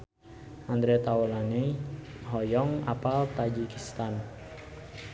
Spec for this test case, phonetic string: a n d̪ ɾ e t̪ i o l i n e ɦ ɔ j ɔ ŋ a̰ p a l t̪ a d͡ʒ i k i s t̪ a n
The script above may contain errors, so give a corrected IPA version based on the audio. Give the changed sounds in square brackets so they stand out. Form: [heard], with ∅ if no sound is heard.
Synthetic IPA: a n d̪ ɾ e t̪ [a] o l [a] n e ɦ ɔ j ɔ ŋ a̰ p a l t̪ a d͡ʒ i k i s t̪ a n